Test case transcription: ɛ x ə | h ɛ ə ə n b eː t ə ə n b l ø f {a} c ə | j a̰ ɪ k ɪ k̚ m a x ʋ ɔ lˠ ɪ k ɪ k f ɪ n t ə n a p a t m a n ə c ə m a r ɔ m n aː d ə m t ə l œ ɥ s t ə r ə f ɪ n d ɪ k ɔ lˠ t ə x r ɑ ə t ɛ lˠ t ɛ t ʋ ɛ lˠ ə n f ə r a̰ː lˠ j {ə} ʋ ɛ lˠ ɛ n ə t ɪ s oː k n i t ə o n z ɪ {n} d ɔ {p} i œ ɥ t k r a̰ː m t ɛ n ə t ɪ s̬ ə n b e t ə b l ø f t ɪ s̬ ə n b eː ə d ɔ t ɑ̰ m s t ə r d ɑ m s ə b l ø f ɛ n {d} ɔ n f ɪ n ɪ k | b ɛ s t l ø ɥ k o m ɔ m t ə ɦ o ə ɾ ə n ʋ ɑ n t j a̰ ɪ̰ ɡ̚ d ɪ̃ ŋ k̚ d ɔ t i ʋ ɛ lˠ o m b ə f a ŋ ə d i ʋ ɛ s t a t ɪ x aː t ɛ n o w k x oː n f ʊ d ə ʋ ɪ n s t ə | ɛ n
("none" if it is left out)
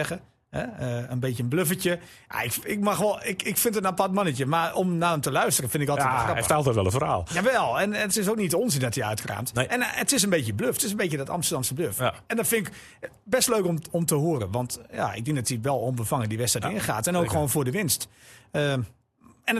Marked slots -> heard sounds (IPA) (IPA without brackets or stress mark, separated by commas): ə, a, n, t, d